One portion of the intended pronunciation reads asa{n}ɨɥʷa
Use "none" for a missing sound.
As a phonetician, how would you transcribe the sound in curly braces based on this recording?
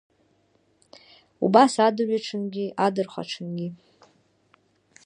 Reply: d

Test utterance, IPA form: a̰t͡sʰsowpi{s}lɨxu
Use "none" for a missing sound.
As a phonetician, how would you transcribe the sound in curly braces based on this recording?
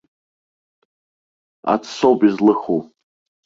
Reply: z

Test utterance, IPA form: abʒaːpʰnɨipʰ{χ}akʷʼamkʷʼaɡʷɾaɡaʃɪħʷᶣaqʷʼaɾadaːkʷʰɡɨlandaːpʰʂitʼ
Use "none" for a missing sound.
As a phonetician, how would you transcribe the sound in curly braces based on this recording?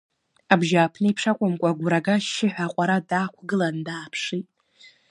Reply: ʂ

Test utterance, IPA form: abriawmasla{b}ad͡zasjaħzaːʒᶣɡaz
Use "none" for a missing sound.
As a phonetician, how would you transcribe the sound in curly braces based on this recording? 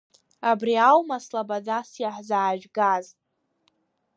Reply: b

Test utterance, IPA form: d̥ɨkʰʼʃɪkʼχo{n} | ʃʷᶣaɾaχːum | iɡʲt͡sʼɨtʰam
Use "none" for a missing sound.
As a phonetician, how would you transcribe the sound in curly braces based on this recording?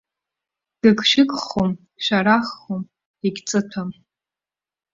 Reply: m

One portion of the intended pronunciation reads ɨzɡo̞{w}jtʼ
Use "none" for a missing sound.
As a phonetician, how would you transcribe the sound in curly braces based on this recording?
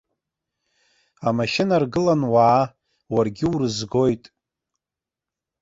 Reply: none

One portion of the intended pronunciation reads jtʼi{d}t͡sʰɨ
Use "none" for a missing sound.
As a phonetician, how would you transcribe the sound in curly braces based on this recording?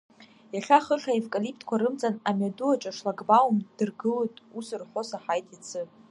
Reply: none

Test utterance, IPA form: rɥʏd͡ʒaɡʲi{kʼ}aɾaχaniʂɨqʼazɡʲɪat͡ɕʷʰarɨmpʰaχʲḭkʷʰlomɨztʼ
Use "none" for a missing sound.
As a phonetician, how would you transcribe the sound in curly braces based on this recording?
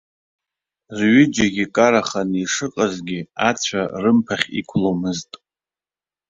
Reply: kʼ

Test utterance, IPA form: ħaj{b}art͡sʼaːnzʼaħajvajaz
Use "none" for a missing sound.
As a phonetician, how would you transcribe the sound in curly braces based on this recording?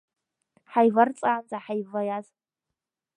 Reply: v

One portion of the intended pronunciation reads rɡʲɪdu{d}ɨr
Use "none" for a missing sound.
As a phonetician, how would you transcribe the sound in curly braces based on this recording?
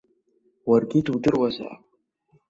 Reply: d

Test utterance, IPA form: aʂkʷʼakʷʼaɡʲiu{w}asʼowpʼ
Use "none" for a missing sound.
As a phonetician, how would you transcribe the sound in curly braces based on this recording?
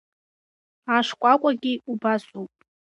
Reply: b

